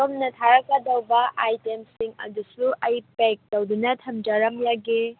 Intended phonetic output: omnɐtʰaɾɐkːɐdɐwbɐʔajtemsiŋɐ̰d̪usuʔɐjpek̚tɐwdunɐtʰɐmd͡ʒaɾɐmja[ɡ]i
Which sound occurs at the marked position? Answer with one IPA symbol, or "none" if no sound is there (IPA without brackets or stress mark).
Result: ɡ